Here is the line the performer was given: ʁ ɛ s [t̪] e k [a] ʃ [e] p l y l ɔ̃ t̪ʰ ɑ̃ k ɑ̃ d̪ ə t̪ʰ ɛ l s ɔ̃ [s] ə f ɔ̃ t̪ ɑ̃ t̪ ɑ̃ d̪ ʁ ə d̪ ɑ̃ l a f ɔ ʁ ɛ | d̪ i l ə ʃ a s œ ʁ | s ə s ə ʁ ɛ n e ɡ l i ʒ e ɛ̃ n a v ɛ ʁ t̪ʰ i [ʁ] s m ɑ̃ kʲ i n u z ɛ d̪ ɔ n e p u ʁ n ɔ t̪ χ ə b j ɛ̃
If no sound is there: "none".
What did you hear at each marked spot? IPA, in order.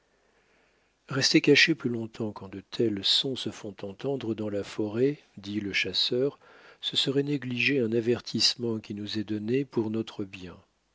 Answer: t̪, a, e, s, none

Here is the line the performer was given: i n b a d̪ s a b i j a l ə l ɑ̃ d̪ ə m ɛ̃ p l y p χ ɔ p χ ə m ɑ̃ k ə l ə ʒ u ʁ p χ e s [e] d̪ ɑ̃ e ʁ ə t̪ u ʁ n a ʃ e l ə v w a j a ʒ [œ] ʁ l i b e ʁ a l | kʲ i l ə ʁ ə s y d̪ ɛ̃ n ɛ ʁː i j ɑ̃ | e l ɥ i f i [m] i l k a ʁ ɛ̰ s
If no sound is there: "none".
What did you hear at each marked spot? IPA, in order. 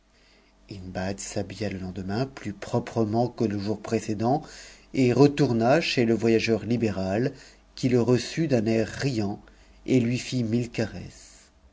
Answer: e, œ, m

